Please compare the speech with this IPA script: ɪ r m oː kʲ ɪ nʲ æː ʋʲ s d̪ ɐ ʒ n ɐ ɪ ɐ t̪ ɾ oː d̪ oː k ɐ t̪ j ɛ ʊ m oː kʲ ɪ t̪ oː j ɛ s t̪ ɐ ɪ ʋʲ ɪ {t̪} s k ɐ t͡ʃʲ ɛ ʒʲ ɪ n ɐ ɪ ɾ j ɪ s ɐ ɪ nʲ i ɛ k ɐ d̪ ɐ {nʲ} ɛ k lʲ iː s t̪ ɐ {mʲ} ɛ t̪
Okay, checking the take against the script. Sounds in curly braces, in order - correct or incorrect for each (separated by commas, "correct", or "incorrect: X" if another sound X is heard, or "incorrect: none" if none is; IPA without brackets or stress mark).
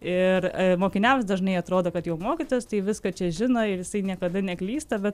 incorrect: none, correct, incorrect: bʲ